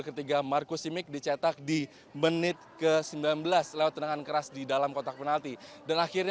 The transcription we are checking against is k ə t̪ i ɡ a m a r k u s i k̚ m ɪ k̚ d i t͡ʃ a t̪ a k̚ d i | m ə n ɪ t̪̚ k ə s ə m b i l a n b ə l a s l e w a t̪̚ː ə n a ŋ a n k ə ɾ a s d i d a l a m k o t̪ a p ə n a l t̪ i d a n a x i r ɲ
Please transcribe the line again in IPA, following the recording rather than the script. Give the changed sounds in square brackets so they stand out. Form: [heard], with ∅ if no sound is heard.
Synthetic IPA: k ə t̪ i ɡ a m a r k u s i [∅] m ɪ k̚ d i t͡ʃ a t̪ a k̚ d i | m ə n ɪ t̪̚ k ə s ə m b i l a n b ə l a s l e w a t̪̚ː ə n a ŋ a n k ə ɾ a s d i d a l a m k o t̪ a p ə n a l t̪ i d a n a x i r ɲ

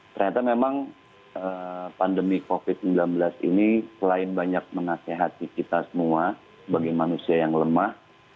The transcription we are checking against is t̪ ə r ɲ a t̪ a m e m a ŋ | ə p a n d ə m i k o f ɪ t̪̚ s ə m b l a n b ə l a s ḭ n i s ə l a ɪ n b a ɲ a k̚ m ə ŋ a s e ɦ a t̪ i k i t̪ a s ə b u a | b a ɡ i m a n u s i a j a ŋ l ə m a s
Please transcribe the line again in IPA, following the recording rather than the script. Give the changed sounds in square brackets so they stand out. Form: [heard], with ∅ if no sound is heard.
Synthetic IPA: t̪ ə r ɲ a t̪ a m e m a ŋ | ə p a n d ə m i k o f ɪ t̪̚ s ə m b l a n b ə l a s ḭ n i s ə l a ɪ n b a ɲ a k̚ m ə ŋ a s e ɦ a t̪ i k i t̪ a s ə [m] u a | b a ɡ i m a n u s i a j a ŋ l ə m a [h]

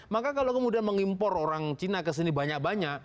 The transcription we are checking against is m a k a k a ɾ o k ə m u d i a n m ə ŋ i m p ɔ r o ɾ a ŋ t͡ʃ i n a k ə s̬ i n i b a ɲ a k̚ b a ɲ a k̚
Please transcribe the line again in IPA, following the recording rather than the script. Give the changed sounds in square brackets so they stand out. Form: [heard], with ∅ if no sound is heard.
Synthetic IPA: m a k a k a [l] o k ə m u d i a n m ə ŋ i m p ɔ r o ɾ a ŋ t͡ʃ i n a k ə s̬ i n i b a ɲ a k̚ b a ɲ a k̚

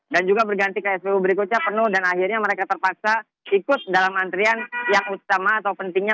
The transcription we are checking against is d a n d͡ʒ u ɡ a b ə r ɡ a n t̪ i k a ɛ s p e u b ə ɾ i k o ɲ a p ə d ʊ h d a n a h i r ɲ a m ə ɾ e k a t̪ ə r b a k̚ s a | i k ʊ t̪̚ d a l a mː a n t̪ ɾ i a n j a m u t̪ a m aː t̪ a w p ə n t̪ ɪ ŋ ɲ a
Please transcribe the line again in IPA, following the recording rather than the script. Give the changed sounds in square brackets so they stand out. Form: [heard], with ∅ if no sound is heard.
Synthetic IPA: d a n d͡ʒ u ɡ a b ə r ɡ a n t̪ i k a ɛ s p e u b ə ɾ i k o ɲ a p ə [n] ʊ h d a n a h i r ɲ a m ə ɾ e k a t̪ ə r [p] a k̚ s a | i k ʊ t̪̚ d a l a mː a n t̪ ɾ i a n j a [ŋ] u t̪ a m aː t̪ a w p ə n t̪ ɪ ŋ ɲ a

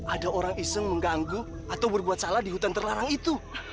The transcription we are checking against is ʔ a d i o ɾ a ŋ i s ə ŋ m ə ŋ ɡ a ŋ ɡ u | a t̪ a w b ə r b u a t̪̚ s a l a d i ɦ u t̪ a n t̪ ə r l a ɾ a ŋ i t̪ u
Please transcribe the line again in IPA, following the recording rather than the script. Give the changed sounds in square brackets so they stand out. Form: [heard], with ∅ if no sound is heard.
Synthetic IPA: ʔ a d [a] o ɾ a ŋ i s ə ŋ m ə ŋ ɡ a ŋ ɡ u | a t̪ a w b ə r b u a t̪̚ s a l a d i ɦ u t̪ a n t̪ ə r l a ɾ a ŋ i t̪ u

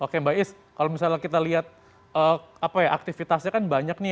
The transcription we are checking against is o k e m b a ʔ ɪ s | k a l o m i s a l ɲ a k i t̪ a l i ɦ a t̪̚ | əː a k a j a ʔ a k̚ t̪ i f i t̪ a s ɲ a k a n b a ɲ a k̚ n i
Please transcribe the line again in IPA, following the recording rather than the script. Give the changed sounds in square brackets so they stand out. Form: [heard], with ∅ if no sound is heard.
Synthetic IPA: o k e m b a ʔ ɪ s | k a l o m i s a l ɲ a k i t̪ a l i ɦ a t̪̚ | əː a [p] a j a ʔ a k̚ t̪ i f i t̪ a s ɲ a k a n b a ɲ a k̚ n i

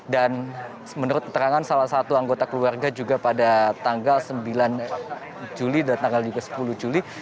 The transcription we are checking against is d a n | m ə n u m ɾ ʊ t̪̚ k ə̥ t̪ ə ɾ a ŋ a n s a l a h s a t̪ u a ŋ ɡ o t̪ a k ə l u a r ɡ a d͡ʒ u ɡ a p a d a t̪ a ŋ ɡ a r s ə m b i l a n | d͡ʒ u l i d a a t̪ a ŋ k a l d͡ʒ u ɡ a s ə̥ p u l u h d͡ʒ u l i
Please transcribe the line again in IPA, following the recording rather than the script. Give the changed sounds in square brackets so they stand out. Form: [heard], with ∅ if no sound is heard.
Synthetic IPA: d a n | m ə n u [∅] ɾ ʊ t̪̚ k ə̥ t̪ ə ɾ a ŋ a n s a l a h s a t̪ u a ŋ ɡ o t̪ a k ə l u a r ɡ a d͡ʒ u ɡ a p a d a t̪ a ŋ ɡ a [l] s ə m b i l a n | d͡ʒ u l i d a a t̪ a ŋ [ɡ] a l d͡ʒ u ɡ a s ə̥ p u l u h d͡ʒ u l i

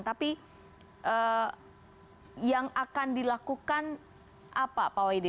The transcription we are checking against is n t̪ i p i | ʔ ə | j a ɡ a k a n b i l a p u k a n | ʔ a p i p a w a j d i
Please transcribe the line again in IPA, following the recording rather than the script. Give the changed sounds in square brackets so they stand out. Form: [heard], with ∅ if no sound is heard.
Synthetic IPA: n t̪ [a] p i | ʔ ə | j a [ŋ] a k a n [d] i l a [k] u k a n | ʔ a p [a] p a w a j d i

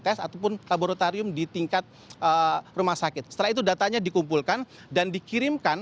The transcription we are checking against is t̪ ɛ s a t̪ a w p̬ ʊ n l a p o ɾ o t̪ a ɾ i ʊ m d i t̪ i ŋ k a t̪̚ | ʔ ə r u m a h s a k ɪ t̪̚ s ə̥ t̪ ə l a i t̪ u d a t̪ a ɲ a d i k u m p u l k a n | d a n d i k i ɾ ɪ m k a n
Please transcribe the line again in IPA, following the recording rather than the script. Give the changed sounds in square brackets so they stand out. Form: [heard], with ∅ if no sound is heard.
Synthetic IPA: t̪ ɛ s a t̪ a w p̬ ʊ n l a [b] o ɾ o t̪ a ɾ i ʊ m d i t̪ i ŋ k a t̪̚ | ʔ ə r u m a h s a k ɪ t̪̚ s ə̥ t̪ ə l a i t̪ u d a t̪ a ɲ a d i k u m p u l k a n | d a n d i k i ɾ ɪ m k a n

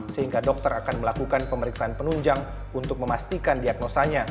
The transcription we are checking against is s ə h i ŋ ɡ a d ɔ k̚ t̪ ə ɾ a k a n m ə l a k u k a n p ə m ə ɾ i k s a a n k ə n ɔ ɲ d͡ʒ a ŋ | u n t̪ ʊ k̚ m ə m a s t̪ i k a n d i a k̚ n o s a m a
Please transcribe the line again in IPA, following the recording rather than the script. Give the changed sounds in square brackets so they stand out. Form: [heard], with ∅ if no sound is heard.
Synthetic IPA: s ə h i ŋ ɡ a d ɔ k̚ t̪ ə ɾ a k a n m ə l a k u k a n p ə m ə ɾ i k s a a n [p] ə n [u] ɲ d͡ʒ a ŋ | u n t̪ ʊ k̚ m ə m a s t̪ i k a n d i a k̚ n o s a [ɲ] a

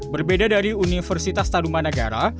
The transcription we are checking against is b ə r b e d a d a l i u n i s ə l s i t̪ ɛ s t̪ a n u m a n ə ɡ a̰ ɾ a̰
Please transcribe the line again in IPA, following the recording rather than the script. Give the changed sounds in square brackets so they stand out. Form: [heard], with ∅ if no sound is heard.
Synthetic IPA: b ə r b e d a d a [ɾ] i u n i [f] ə [r] s i t̪ [a] s t̪ a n u m a n ə ɡ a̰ ɾ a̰

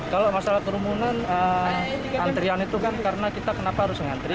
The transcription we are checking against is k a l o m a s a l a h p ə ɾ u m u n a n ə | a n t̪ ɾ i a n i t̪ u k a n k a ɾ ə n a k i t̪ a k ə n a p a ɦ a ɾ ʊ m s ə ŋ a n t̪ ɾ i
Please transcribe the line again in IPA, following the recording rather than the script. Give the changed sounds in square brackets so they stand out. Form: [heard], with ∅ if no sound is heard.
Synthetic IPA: k a l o m a s a l a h [k] ə ɾ u m u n a n ə | a n t̪ ɾ i a n i t̪ u k a n k a ɾ ə n a k i t̪ a k ə n a p a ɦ a ɾ ʊ [∅] s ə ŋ a n t̪ ɾ i

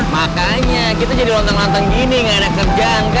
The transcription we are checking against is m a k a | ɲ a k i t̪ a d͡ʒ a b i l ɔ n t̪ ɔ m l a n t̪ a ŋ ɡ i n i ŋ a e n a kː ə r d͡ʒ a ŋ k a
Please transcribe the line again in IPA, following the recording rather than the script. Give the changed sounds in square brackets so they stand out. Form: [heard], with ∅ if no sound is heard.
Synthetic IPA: m a k a | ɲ a k i t̪ a d͡ʒ a [d] i l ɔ n t̪ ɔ [ŋ] l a n t̪ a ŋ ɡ i n i ŋ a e n a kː ə r d͡ʒ a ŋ k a

